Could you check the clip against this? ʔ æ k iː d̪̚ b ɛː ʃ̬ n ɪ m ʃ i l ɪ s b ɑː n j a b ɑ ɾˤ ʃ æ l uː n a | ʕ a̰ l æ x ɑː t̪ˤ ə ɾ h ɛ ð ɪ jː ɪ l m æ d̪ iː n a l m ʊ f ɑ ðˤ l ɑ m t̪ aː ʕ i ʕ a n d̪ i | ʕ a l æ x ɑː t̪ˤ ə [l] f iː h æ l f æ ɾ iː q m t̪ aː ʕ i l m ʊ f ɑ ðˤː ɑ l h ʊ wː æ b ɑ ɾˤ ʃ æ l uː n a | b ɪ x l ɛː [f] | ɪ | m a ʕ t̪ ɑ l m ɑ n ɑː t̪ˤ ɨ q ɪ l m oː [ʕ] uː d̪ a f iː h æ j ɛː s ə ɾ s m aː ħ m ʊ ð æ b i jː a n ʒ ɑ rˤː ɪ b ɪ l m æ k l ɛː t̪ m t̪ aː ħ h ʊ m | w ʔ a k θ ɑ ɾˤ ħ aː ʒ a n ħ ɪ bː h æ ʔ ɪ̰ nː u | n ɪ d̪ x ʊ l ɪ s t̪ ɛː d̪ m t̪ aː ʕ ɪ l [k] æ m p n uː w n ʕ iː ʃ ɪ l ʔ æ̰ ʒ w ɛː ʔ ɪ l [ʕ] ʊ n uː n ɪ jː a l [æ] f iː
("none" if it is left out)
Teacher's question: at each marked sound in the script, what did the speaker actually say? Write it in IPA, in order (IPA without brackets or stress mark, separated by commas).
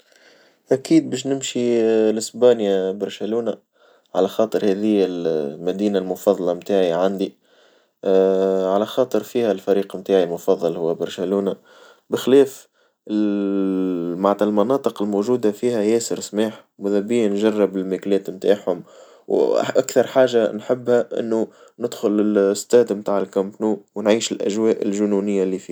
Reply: ɾ, f, ʒ, k, ʒ, i